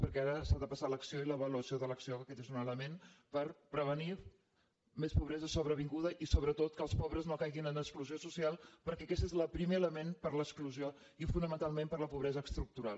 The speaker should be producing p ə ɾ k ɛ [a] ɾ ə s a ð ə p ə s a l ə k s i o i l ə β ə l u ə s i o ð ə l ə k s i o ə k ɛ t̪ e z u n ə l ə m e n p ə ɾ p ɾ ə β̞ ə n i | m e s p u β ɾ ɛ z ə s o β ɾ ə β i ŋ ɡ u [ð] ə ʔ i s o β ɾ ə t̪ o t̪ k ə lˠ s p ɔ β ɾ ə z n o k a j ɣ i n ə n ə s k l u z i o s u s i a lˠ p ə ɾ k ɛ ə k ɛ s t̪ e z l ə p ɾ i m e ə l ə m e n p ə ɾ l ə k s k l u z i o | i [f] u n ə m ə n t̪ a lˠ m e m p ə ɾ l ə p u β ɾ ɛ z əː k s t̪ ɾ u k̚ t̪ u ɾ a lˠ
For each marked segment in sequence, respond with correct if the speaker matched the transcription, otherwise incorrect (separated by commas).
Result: correct, correct, correct